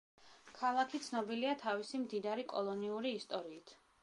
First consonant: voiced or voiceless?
voiceless